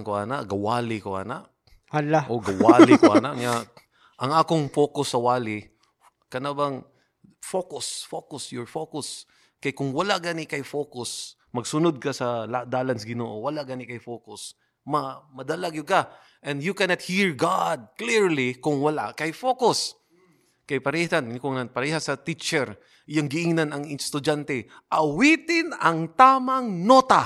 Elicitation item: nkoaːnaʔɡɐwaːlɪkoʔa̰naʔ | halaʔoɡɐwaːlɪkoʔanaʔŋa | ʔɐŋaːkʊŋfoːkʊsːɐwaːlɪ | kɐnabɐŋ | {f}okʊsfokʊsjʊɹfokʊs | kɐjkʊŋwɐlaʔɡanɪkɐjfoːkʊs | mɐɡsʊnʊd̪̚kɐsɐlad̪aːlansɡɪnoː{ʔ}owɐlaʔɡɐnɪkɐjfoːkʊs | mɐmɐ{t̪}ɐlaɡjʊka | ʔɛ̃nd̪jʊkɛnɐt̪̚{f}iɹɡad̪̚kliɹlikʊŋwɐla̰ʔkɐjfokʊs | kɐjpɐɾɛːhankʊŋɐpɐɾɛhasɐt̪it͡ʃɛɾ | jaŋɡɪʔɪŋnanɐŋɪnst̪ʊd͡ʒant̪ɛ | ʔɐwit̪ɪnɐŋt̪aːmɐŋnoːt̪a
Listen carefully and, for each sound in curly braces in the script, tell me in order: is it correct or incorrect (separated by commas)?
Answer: correct, correct, incorrect, incorrect